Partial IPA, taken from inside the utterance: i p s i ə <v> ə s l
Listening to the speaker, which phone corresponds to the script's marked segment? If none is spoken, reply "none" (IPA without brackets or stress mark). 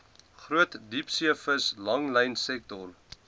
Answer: f